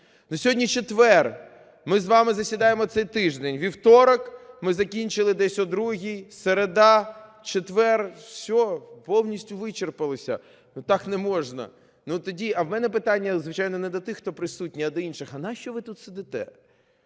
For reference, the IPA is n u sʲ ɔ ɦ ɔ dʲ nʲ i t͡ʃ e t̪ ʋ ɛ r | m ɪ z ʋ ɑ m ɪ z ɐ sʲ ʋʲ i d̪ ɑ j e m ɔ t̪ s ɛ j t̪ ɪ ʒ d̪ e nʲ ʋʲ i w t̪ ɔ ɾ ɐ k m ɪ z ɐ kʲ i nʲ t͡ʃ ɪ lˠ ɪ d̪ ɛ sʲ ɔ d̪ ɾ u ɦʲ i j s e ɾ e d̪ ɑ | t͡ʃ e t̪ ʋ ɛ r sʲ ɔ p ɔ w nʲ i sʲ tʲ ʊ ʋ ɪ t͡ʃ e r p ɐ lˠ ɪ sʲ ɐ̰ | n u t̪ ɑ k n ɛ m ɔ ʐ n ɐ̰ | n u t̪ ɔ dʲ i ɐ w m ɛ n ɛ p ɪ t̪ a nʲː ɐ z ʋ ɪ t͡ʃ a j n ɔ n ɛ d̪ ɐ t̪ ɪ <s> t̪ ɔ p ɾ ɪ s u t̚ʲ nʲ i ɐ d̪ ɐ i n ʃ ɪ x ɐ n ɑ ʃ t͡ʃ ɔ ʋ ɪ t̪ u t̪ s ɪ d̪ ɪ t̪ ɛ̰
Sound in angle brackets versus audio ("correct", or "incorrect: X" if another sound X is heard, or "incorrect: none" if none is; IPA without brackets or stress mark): incorrect: x